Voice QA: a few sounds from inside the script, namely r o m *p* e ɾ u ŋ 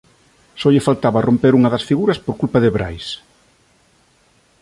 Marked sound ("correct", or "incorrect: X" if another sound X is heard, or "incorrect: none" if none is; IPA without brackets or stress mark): correct